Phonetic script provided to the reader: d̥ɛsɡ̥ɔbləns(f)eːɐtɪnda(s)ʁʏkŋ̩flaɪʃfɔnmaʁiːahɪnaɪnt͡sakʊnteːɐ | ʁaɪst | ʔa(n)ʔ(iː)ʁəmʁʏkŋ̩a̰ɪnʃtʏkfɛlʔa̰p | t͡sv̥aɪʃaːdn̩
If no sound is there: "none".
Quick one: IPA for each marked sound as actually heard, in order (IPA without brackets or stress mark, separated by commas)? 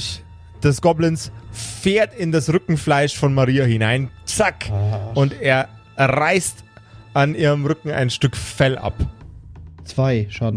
f, s, n, iː